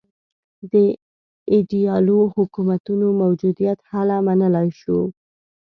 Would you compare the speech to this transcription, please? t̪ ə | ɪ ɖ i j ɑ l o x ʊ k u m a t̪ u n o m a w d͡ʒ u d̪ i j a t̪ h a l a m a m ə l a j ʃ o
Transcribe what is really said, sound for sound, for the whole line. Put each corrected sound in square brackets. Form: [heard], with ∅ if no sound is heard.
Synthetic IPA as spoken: [d̪] ə | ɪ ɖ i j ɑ l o [h] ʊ k u m a t̪ u n o m a w d͡ʒ u d̪ i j a t̪ h a l a m a [n] ə l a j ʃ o

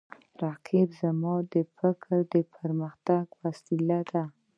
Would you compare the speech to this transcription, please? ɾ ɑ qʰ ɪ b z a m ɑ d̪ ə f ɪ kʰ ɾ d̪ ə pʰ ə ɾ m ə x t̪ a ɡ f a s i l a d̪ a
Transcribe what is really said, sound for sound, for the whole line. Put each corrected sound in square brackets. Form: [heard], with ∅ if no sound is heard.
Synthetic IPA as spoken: ɾ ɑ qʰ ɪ b z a m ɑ d̪ ə f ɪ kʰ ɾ d̪ ə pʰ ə ɾ m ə x t̪ a ɡ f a s i l a d̪ a

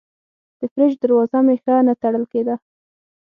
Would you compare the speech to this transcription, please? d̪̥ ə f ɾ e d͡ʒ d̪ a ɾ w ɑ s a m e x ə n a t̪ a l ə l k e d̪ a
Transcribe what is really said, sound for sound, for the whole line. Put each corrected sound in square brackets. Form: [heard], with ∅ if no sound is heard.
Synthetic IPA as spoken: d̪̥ ə f ɾ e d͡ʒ d̪ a ɾ w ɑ [z] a m e x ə n a t̪ a [ɽ] ə l k e d̪ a

